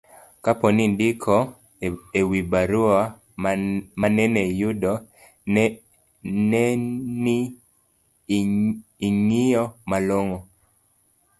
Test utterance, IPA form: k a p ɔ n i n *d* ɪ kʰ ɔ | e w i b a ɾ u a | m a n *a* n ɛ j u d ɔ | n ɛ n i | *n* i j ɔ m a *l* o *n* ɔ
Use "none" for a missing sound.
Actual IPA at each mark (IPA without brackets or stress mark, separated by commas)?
d, ɛ, ŋ, l, ŋ